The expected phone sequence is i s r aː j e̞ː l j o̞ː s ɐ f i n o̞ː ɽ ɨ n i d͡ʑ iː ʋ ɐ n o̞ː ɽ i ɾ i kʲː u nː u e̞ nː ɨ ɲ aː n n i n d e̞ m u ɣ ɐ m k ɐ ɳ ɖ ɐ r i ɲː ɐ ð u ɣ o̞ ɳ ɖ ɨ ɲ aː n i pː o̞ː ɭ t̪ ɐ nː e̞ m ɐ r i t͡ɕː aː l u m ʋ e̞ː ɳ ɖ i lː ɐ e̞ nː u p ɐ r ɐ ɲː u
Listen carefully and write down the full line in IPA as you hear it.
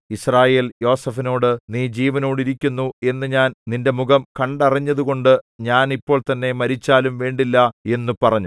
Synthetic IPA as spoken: i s r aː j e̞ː l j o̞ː s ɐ f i n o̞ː ɽ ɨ n iː d͡ʑ iː ʋ ɐ n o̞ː ɽ i ɾ i kʲː u nː u e̞ nː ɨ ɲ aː n n i n d e̞ m u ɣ ɐ m k ɐ ɳ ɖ ɐ r i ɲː ɐ ð u ɣ o̞ ɳ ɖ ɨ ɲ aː n i pː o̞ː ɭ t̪ ɐ nː e̞ m ɐ ɾ i t͡ɕː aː l u m ʋ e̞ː ɳ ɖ i lː ɐ e̞ nː u p ɐ r ɐ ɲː u